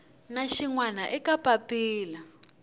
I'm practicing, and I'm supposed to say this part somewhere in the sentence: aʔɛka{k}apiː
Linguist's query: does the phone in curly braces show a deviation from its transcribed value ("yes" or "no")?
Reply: yes